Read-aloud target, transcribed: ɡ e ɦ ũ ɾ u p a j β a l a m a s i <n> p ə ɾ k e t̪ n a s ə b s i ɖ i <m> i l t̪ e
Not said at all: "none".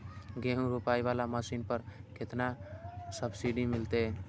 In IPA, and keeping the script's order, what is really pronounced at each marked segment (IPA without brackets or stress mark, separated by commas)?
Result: n, m